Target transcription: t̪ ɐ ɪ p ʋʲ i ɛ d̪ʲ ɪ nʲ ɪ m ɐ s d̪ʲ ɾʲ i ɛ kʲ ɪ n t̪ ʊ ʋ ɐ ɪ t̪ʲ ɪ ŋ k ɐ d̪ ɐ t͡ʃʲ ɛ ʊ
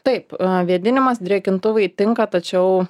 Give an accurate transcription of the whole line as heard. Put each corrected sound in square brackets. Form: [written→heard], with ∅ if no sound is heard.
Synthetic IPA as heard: t̪ ɐ ɪ p ʋʲ i ɛ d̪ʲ ɪ nʲ ɪ m ɐ s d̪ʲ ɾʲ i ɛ kʲ ɪ n t̪ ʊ ʋ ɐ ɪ t̪ʲ ɪ ŋ k ɐ [d̪→t̪] ɐ t͡ʃʲ ɛ ʊ